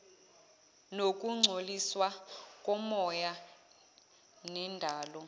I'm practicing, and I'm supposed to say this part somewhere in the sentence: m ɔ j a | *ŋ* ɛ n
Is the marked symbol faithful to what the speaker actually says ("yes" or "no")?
no